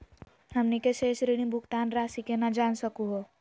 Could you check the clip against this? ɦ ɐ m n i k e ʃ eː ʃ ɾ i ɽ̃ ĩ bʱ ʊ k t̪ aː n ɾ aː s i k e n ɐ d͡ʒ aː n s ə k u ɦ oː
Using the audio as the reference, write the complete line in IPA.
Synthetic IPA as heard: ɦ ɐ m n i k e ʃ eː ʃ ɾ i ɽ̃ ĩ bʱ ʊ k t̪ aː n ɾ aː s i k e n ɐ d͡ʒ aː n s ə k u ɦ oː